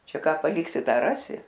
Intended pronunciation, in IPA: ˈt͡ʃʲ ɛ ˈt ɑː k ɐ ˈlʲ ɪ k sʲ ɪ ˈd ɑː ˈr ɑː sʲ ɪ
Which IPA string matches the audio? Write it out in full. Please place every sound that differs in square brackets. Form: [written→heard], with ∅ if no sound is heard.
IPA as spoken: ˈt͡ʃʲ ɛ [ˈt→ˈk] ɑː [k→p] ɐ ˈlʲ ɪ k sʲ ɪ [ˈd→ˈt] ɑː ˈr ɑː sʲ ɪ